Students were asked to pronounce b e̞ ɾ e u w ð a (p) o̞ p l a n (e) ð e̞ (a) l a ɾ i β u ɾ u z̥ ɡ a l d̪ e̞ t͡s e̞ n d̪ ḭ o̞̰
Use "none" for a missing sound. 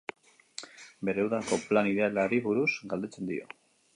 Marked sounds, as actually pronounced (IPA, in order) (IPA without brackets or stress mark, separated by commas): k, i, a